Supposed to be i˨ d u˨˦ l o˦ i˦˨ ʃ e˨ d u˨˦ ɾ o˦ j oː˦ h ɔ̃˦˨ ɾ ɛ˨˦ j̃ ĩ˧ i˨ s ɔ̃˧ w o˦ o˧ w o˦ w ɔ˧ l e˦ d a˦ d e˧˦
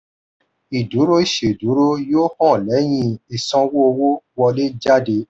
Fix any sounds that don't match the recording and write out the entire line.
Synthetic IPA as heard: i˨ d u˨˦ ɾ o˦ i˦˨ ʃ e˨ d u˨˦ ɾ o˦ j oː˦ h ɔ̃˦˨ l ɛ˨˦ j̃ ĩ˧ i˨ s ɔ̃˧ w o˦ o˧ w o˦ w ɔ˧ l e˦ d͡ʒ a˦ d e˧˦